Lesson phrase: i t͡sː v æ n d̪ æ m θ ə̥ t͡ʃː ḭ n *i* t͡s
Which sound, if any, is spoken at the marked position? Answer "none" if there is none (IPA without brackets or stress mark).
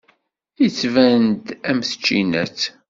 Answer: æ